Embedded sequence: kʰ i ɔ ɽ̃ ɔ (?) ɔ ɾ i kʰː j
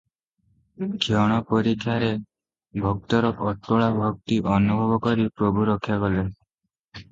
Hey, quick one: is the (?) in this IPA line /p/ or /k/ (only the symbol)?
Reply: p